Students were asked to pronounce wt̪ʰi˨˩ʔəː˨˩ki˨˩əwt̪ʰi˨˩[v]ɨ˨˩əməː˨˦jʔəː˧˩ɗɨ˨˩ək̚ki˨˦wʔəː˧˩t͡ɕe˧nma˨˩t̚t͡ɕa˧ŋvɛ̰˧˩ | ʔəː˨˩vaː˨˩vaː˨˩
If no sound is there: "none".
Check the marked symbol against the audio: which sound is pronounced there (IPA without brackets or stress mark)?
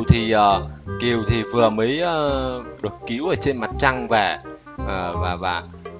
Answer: v